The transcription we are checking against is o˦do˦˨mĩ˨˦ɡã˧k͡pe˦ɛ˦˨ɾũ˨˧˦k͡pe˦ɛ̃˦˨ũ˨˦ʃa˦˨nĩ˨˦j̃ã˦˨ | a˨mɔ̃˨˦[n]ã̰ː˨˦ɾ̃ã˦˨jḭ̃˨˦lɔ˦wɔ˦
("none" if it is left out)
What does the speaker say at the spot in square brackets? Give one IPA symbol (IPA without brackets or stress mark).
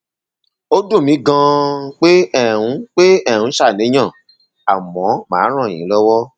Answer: m